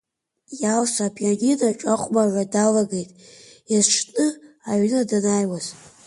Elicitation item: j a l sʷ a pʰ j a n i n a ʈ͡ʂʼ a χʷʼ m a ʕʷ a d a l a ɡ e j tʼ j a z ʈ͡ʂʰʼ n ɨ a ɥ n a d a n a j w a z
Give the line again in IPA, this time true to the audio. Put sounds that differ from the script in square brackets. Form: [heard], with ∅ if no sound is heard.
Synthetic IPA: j a l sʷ a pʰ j a n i n a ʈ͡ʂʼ a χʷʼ m a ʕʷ a d a l a ɡ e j tʼ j a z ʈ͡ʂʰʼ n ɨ a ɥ n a d a n a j w a z

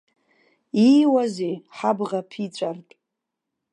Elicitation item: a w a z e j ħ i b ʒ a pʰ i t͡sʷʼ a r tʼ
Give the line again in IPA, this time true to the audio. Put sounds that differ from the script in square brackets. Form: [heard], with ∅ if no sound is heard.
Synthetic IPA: [i] w a z e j ħ [a] b [ʁ] a pʰ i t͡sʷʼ a r tʼ

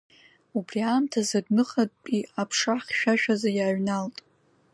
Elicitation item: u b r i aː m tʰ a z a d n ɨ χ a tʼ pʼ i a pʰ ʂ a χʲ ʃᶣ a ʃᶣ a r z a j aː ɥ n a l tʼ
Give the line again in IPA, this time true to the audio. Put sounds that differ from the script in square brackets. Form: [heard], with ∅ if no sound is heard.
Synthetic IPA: u b r i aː m tʰ a z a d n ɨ χ a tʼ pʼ i a pʰ ʂ a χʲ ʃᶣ a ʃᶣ a [∅] z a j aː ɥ n a l tʼ

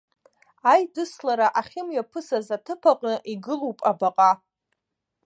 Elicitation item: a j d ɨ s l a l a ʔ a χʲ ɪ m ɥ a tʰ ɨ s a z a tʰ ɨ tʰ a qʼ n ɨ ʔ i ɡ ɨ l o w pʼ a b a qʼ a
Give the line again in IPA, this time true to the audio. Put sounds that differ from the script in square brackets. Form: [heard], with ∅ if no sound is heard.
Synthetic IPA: a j d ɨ s l a [ɾ] a ʔ a χʲ ɪ m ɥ a [pʰ] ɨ s a z a tʰ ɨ [pʰ] a qʼ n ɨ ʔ i ɡ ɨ l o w pʼ a b a qʼ a

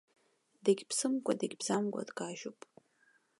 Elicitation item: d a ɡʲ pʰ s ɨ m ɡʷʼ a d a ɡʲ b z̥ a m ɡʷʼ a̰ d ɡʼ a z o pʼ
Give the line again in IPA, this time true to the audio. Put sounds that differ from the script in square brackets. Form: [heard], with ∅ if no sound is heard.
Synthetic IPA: d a ɡʲ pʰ s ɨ m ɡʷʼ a d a ɡʲ b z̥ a m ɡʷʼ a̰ d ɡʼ a [ʒ] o pʼ

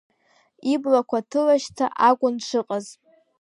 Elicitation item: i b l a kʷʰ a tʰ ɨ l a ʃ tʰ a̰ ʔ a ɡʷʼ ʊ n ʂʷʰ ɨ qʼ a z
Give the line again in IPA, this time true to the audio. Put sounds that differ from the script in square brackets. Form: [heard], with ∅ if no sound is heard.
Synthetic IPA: i b l a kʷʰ a tʰ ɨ l a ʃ tʰ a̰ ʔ a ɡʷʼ ʊ n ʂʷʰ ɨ qʼ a z

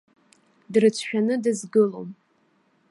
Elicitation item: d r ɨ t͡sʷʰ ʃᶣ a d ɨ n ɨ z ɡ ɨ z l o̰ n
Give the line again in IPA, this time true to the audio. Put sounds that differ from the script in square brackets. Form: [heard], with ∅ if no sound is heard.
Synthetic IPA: d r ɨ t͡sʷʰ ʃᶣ a [n] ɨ [d] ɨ z ɡ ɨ [∅] l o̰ [m]

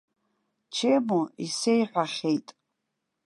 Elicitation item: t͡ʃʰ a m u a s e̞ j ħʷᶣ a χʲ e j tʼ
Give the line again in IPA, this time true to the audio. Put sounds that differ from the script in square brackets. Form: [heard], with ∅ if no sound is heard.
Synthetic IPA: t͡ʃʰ [e] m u [i] s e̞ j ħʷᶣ a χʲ e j tʼ

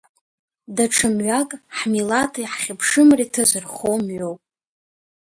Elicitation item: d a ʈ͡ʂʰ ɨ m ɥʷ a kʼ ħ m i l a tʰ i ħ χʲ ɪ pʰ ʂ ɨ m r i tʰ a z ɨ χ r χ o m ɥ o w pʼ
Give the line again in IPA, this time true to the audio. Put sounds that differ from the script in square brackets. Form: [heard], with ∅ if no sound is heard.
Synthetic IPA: d a ʈ͡ʂʰ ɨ m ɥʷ a kʼ ħ m i l a tʰ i ħ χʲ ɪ pʰ ʂ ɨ m r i tʰ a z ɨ [∅] r χ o m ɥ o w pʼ

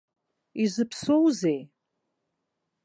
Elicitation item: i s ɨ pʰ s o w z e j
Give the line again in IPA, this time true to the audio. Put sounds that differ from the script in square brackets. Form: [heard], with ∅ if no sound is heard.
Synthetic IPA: i [z] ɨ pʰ s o w z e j

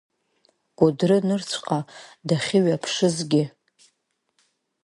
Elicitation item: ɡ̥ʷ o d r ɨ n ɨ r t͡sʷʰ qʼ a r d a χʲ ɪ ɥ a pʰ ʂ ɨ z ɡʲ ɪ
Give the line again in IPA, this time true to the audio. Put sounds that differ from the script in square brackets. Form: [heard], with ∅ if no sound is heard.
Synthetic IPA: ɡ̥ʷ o d r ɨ n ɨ r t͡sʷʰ qʼ a [∅] d a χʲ ɪ ɥ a pʰ ʂ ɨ z ɡʲ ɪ

